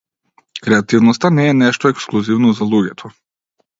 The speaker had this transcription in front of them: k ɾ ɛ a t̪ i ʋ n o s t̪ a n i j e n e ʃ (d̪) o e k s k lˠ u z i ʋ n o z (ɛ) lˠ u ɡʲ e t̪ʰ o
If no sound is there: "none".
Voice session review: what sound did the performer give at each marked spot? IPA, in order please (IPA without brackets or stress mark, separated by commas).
t̪, a